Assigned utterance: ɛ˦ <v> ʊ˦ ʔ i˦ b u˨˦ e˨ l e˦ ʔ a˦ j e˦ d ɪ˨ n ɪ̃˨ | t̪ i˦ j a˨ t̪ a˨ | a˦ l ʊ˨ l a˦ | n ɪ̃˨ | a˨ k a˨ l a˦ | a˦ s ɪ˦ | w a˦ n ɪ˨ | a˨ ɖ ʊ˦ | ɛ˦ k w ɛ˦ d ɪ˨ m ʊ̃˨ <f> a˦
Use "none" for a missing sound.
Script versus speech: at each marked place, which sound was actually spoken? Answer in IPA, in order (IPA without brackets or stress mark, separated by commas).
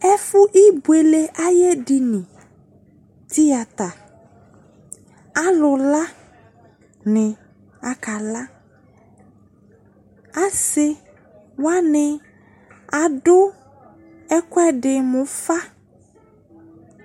f, f